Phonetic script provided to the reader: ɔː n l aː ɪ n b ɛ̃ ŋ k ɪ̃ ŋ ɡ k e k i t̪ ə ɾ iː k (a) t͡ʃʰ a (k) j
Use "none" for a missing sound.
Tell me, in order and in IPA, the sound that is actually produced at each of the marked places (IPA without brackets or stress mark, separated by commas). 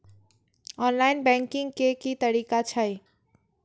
a, none